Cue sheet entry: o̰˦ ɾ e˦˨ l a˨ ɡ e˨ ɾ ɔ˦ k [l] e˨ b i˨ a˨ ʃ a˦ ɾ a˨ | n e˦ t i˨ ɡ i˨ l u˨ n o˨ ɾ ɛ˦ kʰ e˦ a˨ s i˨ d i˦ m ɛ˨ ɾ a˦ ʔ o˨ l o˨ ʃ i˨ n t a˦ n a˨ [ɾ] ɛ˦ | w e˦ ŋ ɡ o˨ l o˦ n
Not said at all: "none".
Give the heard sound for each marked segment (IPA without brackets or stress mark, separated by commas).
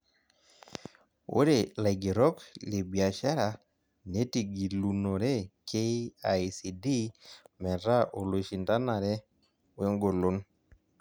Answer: l, ɾ